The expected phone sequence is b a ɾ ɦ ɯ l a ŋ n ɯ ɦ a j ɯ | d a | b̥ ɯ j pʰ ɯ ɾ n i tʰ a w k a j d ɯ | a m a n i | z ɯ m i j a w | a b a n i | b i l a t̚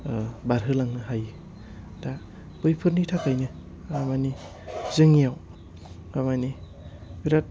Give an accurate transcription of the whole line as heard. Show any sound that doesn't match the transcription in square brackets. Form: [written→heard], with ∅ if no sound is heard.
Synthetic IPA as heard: b a ɾ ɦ ɯ l a ŋ n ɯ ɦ a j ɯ | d a | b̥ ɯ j pʰ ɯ ɾ n i tʰ a [w→∅] k a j [d→n] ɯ | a m a n i | z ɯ [m→ŋ] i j a w | a [b→m] a n i | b i [l→ɾ] a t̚